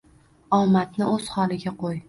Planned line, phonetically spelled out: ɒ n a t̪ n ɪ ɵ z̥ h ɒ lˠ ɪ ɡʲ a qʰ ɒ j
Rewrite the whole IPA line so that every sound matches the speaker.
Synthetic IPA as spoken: ɒ m a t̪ n ɪ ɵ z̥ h ɒ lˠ ɪ ɡʲ a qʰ o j